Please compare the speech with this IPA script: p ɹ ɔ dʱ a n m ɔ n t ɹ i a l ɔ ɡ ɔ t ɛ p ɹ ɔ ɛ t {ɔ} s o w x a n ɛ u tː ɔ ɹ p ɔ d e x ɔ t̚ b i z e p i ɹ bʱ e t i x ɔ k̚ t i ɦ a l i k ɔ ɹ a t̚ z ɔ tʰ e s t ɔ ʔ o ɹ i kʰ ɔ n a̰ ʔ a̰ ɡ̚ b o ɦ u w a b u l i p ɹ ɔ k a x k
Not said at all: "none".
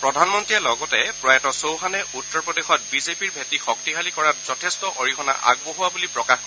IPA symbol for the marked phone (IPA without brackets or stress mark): ɔ